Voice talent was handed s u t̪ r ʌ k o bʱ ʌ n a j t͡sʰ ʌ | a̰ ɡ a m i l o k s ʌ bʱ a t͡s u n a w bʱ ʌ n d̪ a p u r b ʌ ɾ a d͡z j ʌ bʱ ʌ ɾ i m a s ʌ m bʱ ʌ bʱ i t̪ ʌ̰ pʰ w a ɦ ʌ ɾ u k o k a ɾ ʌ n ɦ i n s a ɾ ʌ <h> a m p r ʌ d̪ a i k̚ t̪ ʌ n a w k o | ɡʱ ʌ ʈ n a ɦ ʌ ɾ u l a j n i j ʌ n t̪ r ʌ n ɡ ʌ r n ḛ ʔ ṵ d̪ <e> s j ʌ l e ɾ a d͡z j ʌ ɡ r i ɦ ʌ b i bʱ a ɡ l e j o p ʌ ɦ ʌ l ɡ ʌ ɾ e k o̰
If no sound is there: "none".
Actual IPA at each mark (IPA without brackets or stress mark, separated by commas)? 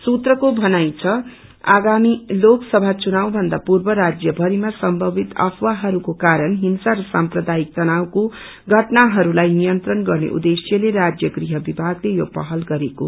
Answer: s, e